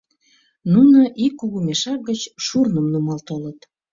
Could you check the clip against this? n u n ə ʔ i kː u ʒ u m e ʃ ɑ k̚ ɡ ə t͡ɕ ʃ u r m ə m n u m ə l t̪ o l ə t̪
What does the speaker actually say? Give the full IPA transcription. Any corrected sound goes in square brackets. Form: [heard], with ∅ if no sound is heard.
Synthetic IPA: n u n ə ʔ i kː u [ɣ] u m e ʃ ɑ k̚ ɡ ə t͡ɕ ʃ u r [n] ə m n u m [ɑ] l t̪ o l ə t̪